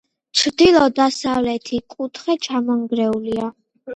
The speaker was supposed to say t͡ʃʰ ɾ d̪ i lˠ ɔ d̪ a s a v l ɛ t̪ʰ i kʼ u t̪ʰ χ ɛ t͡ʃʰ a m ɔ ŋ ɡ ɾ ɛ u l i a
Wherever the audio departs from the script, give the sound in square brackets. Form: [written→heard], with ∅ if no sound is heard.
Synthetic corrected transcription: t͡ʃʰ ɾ d̪ i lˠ ɔ d̪ a s a v l ɛ t̪ʰ i kʼ u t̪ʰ χ ɛ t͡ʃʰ a m ɔ ŋ ɡ ɾ ɛ u l i a